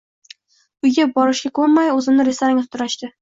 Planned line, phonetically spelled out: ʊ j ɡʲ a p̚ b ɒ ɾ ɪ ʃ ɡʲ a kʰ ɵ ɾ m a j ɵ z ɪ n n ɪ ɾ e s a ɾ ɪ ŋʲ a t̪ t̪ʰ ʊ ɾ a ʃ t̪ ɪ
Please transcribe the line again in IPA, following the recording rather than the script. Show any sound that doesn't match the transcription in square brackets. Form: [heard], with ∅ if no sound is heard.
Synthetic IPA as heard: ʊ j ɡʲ a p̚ b ɒ ɾ ɪ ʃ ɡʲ a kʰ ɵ ɾ m a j ɵ z ɪ [m] n ɪ ɾ e s a ɾ ɪ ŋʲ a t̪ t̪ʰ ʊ ɾ a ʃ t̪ ɪ